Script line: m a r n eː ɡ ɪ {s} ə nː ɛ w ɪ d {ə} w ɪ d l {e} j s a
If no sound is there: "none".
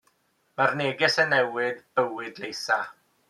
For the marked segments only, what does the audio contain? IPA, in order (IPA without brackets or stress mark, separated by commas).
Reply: s, ə, e